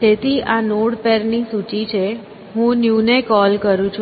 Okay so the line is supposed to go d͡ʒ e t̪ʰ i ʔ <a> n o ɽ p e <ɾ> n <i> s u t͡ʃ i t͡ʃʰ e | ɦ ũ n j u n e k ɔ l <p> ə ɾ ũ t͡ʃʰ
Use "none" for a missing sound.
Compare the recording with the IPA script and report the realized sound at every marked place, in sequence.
a, ɾ, i, k

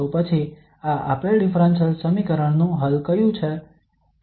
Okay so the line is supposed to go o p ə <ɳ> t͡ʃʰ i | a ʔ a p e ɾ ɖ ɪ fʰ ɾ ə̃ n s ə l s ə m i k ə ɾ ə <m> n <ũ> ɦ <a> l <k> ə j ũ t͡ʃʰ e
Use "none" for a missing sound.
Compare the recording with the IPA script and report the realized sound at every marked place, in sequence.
none, ɳ, ũ, ə, k

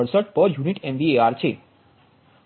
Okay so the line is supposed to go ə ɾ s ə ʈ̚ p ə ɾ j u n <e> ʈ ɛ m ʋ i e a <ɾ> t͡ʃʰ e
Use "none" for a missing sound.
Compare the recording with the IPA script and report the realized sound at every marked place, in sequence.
i, ɾ

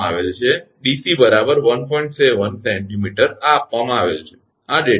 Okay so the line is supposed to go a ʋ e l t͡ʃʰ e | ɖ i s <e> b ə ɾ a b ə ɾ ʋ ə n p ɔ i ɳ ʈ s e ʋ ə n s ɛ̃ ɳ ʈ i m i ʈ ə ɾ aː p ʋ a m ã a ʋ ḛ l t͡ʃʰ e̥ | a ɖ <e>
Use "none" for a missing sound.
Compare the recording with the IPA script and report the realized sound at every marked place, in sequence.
i, e

